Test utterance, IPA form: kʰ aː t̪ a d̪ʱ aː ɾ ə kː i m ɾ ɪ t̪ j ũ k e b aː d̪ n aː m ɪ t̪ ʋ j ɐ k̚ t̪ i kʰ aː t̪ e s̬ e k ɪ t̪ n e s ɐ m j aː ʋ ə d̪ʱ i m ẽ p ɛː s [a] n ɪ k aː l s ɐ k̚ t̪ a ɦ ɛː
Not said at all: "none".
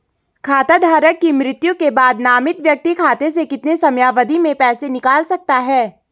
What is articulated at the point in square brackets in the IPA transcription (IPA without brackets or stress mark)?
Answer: e